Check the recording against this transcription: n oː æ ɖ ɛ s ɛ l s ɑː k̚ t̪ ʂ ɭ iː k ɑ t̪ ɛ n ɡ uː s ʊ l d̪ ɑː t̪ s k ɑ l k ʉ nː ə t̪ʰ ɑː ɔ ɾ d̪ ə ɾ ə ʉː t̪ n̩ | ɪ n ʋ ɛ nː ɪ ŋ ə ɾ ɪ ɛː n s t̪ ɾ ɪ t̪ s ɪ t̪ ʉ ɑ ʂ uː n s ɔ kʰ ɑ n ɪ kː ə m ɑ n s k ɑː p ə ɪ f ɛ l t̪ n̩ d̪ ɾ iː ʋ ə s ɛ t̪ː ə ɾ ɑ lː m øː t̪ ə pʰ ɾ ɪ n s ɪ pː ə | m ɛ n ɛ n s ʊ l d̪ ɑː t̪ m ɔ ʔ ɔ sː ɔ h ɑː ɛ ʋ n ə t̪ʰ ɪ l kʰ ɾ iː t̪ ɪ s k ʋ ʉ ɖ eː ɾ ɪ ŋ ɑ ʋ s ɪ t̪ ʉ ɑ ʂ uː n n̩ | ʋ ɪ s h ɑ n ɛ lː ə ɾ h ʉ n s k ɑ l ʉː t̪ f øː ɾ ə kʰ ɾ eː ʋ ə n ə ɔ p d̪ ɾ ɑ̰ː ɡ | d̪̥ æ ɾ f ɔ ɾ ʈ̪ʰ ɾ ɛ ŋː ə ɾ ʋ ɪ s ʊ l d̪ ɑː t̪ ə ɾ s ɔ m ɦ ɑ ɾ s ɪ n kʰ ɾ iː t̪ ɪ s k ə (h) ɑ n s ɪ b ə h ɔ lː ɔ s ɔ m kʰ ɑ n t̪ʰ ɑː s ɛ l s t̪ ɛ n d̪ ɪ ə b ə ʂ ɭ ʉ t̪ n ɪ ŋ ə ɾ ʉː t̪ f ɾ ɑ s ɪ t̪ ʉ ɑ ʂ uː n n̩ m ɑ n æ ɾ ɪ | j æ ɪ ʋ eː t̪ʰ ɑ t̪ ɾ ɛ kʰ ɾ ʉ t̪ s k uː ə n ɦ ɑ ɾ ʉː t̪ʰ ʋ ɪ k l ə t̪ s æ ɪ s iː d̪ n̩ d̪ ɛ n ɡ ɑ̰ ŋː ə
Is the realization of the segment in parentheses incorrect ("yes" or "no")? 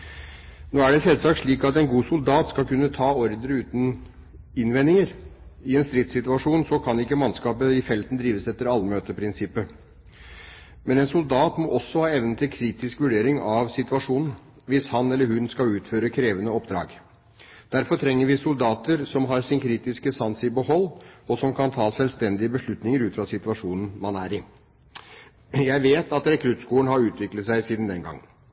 yes